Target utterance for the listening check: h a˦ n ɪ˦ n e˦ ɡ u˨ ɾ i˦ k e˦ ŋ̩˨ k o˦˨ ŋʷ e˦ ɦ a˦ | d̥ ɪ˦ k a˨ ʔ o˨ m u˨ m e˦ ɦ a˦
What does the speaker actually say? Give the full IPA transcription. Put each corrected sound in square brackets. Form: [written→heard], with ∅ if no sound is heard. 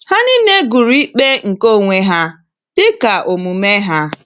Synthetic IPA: h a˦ n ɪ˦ n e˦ ɡ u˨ ɾ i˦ [k→k͡p] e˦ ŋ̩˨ k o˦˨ ŋʷ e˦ ɦ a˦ | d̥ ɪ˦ k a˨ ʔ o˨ m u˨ m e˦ ɦ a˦